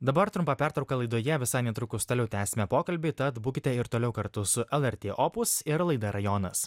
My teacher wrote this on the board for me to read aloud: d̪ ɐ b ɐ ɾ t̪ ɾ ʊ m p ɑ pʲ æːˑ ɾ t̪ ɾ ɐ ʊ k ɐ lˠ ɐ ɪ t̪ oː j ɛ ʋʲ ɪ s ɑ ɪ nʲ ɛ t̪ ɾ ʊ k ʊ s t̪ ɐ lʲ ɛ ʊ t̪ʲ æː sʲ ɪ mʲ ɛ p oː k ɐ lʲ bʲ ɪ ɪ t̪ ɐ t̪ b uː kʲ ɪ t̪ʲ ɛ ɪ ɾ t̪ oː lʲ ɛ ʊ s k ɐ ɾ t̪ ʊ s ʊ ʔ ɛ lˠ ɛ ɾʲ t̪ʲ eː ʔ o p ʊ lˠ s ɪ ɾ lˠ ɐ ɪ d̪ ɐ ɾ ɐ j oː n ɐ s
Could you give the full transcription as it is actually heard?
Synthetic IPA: d̪ ɐ b ɐ ɾ t̪ ɾ ʊ m p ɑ pʲ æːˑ ɾ t̪ ɾ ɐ ʊ k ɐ lˠ ɐ ɪ d̪ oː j ɛ ʋʲ ɪ s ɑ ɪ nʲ ɛ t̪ ɾ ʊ k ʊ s t̪ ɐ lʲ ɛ ʊ t̪ʲ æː sʲ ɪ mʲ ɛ p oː k ɐ lʲ bʲ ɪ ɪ t̪ ɐ t̪ b uː kʲ ɪ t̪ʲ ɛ ɪ ɾ t̪ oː lʲ ɛ ʊ k ɐ ɾ t̪ ʊ s ʊ ʔ ɛ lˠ ɛ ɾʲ t̪ʲ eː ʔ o p ʊ s ɪ ɾ lˠ ɐ ɪ d̪ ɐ ɾ ɐ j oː n ɐ s

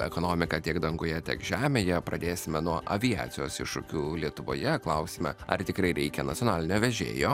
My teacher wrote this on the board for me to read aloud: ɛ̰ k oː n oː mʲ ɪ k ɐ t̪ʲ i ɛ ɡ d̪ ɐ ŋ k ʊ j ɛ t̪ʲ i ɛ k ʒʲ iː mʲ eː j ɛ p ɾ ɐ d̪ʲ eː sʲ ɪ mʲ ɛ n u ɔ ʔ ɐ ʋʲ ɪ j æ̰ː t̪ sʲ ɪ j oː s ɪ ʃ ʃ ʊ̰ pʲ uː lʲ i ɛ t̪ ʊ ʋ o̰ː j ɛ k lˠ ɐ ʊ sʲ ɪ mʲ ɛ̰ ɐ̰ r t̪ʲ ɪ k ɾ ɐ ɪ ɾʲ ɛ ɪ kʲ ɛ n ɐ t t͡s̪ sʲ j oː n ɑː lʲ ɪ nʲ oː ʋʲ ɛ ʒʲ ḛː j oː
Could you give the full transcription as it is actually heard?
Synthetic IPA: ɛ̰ k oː n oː mʲ ɪ k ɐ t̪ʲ i ɛ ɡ d̪ ɐ ŋ ɡ ʊ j ɛ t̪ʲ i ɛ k ʒʲ æː mʲ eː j ɛ p ɾ ɐ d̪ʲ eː sʲ ɪ mʲ ɛ n u ɔ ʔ ɐ ʋʲ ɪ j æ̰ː t̪ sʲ ɪ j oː s ɪ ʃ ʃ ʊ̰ kʲ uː lʲ i ɛ t̪ ʊ ʋ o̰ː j ɛ k lˠ ɐ ʊ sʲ ɪ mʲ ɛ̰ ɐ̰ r t̪ʲ ɪ k ɾ ɐ ɪ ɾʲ ɛ ɪ kʲ ɛ n ɐ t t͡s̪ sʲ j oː n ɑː lʲ ɪ nʲ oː ʋʲ ɛ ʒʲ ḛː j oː

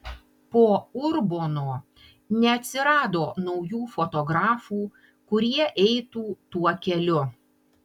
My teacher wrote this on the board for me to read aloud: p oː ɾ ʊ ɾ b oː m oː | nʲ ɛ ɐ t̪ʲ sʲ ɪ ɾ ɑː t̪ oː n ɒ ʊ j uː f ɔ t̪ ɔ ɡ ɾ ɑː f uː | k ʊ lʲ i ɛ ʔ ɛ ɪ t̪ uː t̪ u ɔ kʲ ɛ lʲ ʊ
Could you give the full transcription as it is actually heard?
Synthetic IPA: p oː ʊ ɾ b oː n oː | nʲ ɛ ɐ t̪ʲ sʲ ɪ ɾ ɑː d̪ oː n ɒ ʊ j uː f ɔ t̪ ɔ ɡ ɾ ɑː f uː | k ʊ ɾʲ i ɛ ʔ ɛ ɪ t̪ uː t̪ u ɔ kʲ ɛ lʲ ʊ

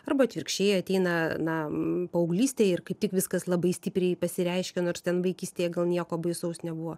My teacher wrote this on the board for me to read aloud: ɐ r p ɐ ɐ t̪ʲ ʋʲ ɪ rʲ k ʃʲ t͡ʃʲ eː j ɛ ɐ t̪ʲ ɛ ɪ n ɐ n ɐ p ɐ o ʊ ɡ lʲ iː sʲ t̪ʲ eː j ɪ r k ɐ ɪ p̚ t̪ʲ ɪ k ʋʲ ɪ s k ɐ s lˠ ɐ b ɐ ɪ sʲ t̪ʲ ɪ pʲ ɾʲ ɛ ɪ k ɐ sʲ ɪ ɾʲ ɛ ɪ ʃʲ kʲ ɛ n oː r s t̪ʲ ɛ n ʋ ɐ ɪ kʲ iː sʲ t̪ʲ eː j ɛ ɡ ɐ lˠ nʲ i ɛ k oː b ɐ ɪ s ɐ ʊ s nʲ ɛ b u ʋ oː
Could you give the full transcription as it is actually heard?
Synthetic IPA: ɐ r b ɐ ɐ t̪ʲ ʋʲ ɪ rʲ k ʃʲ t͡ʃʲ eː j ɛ ɐ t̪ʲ ɛ ɪ n ɐ n ɐ p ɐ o ʊ ɡ lʲ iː sʲ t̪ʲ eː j ɪ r k ɐ ɪ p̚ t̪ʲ ɪ k ʋʲ ɪ s k ɐ s lˠ ɐ b ɐ ɪ sʲ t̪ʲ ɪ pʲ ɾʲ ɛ ɪ p ɐ sʲ ɪ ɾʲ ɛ ɪ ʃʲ kʲ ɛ n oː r s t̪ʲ ɛ n ʋ ɐ ɪ kʲ iː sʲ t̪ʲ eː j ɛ ɡ ɐ lˠ nʲ i ɛ k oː b ɐ ɪ s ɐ ʊ s nʲ ɛ b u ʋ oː

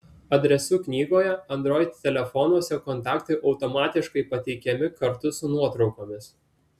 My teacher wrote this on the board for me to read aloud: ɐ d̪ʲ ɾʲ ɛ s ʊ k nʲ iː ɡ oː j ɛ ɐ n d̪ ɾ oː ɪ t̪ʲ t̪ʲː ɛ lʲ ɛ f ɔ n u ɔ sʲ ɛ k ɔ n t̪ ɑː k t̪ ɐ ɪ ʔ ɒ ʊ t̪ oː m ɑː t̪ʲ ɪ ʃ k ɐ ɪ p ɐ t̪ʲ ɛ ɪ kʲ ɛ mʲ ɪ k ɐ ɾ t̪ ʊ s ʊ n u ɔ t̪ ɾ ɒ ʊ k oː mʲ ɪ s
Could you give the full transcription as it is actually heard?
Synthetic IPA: ɐ d̪ʲ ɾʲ ɛ s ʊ k nʲ iː ɡ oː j ɛ ɐ n d̪ ɾ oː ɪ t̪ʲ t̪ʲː ɛ lʲ ɛ f ɔ n u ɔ sʲ ɛ k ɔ n t̪ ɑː k t̪ ɐ ɪ ʔ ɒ ʊ t̪ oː m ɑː t̪ʲ ɪ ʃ k ɐ ɪ p ɐ t̪ʲ ɛ ɪ kʲ ɛ mʲ ɪ k ɐ ɾ t̪ ʊ s ʊ n u ɔ t̪ ɾ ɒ ʊ k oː mʲ ɪ s

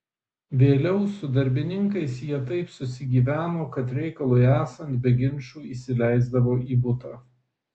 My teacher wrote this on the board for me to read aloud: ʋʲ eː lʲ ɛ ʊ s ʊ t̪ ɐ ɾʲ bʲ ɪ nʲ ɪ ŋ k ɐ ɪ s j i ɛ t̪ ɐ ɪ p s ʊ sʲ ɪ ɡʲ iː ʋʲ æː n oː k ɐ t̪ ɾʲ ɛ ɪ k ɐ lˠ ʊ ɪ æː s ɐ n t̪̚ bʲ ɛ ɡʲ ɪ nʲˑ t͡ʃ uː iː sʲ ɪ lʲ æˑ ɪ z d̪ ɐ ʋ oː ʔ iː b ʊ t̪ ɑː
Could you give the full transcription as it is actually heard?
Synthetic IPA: ʋʲ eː lʲ ɛ ʊ s ʊ d̪ ɐ ɾʲ bʲ ɪ nʲ ɪ ŋ k ɐ ɪ s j i ɛ t̪ ɐ ɪ p s ʊ sʲ ɪ ɡʲ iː ʋʲ æː n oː k ɐ t̪ ɾʲ ɛ ɪ k ɐ lˠ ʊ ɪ æː s ɐ n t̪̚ bʲ ɛ ɡʲ ɪ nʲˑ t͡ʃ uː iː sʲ ɪ lʲ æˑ ɪ z d̪ ɐ ʋ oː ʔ iː b ʊ t̪ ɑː

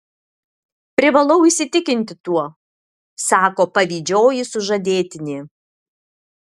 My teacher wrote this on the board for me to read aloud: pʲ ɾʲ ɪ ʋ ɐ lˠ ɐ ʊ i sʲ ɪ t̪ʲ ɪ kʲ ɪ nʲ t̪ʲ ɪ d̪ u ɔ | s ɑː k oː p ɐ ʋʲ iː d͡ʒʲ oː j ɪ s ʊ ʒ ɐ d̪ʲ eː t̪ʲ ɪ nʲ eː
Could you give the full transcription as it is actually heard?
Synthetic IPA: pʲ ɾʲ ɪ ʋ ɐ lˠ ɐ ʊ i sʲ ɪ t̪ʲ ɪ kʲ ɪ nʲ t̪ʲ ɪ t̪ u ɔ | s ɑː k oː p ɐ ʋʲ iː d͡ʒʲ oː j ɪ s ʊ ʒ ɐ d̪ʲ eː t̪ʲ ɪ nʲ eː

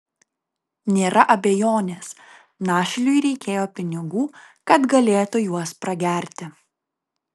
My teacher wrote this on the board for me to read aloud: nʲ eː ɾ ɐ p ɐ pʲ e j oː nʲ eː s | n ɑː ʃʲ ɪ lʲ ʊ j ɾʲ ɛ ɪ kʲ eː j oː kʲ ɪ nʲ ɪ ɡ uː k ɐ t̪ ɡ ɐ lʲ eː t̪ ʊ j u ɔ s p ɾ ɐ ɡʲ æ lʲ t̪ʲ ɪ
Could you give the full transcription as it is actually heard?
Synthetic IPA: nʲ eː ɾ ɐ ʔ ɐ bʲ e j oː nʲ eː s | n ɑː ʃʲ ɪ lʲ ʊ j ɾʲ ɛ ɪ kʲ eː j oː pʲ ɪ nʲ ɪ ɡ uː k ɐ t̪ ɡ ɐ lʲ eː t̪ ʊ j u ɔ s p ɾ ɐ ɡʲ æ ɾʲ t̪ʲ ɪ

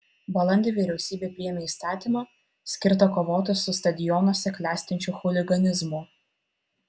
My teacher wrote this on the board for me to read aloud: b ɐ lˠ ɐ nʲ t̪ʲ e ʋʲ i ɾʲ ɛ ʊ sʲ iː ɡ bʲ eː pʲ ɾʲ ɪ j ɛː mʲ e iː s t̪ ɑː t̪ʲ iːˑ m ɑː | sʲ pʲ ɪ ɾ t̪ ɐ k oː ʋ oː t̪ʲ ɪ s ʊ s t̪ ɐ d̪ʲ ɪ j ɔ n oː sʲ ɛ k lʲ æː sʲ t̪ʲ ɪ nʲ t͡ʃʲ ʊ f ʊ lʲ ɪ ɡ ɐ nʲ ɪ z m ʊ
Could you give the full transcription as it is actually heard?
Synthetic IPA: b ɐ lˠ ɐ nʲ d̪ʲ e ʋʲ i ɾʲ ɛ ʊ sʲ iː bʲ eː pʲ ɾʲ ɪ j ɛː mʲ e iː s t̪ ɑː t̪ʲ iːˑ m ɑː | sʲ kʲ ɪ ɾ t̪ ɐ k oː ʋ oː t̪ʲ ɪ s ʊ s t̪ ɐ d̪ʲ ɪ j ɔ n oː sʲ ɛ k lʲ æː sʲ t̪ʲ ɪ nʲ t͡ʃʲ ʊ x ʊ lʲ ɪ ɡ ɐ nʲ ɪ z m ʊ

